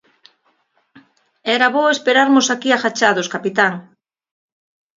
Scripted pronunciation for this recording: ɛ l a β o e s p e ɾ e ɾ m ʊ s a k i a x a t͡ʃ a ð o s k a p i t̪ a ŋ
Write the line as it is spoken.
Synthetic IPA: ɛ ɾ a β o e s p e ɾ a ɾ m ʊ s a k i a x a t͡ʃ a ð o s k a p i t̪ a ŋ

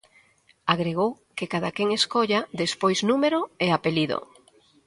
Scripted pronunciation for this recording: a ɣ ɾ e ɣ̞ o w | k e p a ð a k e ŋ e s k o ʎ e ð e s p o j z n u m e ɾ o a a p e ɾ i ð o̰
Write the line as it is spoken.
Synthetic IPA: a ɣ ɾ e ɣ̞ o w | k e k a ð a k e ŋ e s k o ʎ a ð e s p o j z n u m e ɾ o e a p e l i ð o̰

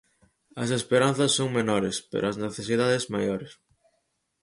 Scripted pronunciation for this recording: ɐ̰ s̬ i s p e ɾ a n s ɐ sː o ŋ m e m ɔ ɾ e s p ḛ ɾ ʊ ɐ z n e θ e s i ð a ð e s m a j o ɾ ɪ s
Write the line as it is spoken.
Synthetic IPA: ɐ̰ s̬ e s p e ɾ a n θ ɐ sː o ŋ m e n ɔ ɾ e s p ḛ ɾ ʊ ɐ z n e θ e s i ð a ð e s m a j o ɾ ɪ s

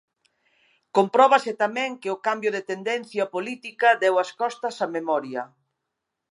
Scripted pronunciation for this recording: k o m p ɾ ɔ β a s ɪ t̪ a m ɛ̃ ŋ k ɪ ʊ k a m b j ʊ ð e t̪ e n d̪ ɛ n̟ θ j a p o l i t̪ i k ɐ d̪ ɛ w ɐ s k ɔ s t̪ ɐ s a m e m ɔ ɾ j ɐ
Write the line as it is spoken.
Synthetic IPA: k o m p ɾ ɔ β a s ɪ t̪ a m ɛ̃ ŋ k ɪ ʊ k a m b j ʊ ð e t̪ e n d̪ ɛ n̟ θ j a p o l i t̪ i k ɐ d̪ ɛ w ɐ s k ɔ s t̪ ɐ s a m e m ɔ ɾ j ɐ

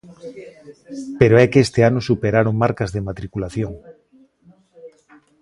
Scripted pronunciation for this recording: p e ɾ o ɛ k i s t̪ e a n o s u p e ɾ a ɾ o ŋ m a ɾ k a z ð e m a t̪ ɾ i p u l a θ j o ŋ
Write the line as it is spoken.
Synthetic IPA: p e ɾ o ɛ k e s t̪ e a n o s u p e ɾ a ɾ o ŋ m a ɾ k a z ð e m a t̪ ɾ i k u l a θ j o ŋ

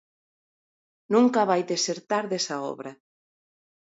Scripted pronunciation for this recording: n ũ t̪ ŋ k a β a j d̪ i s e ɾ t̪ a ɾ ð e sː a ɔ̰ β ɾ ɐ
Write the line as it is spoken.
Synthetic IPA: n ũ ŋ k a β a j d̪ e s e ɾ t̪ a ɾ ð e s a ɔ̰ β ɾ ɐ

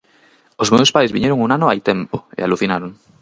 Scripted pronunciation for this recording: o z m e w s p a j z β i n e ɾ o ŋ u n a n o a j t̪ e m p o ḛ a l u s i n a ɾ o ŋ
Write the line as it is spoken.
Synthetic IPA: o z m e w s p a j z β i ɲ e ɾ o ŋ u n a n o a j t̪ e m p o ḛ a l u θ i n a ɾ o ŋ

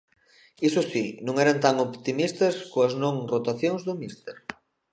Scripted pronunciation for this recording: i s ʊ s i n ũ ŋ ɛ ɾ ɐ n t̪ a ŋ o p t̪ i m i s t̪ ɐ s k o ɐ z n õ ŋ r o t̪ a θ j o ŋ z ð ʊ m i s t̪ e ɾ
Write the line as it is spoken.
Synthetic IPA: i s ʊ s i n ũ ŋ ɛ ɾ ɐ n t̪ a ŋ o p t̪ i m i s t̪ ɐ s k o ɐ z n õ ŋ r o t̪ a θ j o ŋ z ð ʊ m i s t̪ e ɾ

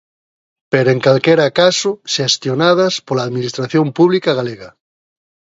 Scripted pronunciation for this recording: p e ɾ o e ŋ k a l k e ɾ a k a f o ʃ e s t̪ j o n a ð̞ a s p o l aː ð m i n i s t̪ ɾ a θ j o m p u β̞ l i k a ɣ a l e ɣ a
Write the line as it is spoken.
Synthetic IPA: p e ɾ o e ŋ k a l k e ɾ a k a s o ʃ e s t̪ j o n a ð̞ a s p o l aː ð m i n i s t̪ ɾ a θ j o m p u β̞ l i k a ɣ a l e ɣ a

